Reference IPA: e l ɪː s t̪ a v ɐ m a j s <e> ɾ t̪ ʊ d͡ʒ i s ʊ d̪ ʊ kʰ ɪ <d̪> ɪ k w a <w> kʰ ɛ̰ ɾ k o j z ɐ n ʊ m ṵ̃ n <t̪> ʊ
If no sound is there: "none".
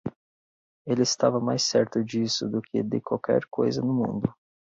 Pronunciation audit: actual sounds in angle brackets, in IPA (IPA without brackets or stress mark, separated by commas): ɛ, d̪, w, d̪